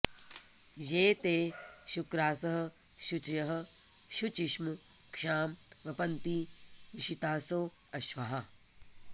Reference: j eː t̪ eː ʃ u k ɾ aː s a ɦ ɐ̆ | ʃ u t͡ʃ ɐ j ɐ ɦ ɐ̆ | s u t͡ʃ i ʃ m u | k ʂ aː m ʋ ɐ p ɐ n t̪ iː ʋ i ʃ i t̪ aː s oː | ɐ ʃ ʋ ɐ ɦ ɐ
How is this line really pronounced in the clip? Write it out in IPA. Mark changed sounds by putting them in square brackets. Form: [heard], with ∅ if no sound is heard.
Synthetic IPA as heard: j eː t̪ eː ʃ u k ɾ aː s [ɐ] ɦ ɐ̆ | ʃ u t͡ʃ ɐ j ɐ ɦ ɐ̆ | [ʃ] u t͡ʃ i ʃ m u | k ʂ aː m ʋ ɐ p ɐ n t̪ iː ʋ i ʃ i t̪ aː s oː | ɐ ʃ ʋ ɐ ɦ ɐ